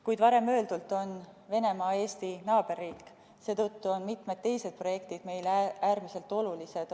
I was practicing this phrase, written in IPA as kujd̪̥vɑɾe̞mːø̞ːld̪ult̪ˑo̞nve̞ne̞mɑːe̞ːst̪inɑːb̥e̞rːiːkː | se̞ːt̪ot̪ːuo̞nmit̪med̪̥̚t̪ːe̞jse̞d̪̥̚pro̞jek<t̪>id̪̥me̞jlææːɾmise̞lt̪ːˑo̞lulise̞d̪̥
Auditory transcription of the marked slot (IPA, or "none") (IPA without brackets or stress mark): t̪